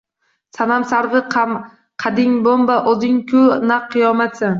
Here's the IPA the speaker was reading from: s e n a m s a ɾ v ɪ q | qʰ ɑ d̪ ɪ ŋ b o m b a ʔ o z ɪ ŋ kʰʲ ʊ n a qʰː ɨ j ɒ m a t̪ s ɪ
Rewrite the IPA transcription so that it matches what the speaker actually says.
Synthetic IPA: s a n a m s a ɾ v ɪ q | qʰ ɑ d̪ ɪ ŋ b o m b a ʔ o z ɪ ŋ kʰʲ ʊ n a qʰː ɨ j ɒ m a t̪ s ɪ